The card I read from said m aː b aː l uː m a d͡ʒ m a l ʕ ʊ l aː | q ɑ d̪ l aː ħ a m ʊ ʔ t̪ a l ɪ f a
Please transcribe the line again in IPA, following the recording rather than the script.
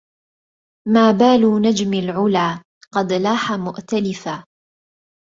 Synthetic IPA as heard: m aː b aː l uː n a d͡ʒ m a l ʕ ʊ l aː | q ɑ d̪ l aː ħ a m ʊ ʔ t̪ a l ɪ f a